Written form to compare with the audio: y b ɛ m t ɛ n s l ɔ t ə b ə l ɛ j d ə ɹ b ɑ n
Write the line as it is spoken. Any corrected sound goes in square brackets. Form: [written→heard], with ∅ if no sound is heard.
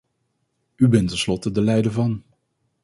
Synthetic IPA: y b ɛ [m→n] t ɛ n s l ɔ t ə [b→d] ə l ɛ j d ə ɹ [b→v] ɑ n